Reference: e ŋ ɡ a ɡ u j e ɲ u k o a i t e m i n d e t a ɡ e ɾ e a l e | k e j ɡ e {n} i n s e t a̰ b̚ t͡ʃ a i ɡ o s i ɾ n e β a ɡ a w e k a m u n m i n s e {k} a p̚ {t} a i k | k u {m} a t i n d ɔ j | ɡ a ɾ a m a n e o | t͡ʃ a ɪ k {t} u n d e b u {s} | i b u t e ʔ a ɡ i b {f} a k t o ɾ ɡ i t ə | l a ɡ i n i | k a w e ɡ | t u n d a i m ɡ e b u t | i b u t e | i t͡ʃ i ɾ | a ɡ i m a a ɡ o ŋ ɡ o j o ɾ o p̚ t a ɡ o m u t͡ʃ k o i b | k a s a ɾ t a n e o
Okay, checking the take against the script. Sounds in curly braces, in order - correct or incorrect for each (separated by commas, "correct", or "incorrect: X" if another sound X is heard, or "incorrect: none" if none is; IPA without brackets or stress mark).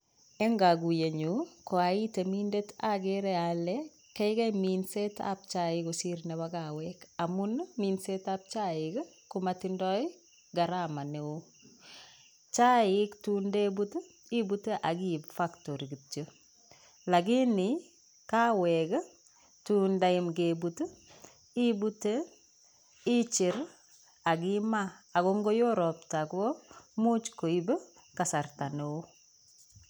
incorrect: m, incorrect: t, incorrect: t͡ʃ, correct, correct, incorrect: t, correct